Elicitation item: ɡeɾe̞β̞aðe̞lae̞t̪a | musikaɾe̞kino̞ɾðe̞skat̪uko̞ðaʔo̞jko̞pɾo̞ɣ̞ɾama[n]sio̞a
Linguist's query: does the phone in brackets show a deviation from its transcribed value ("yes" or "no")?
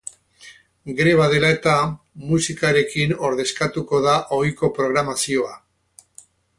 yes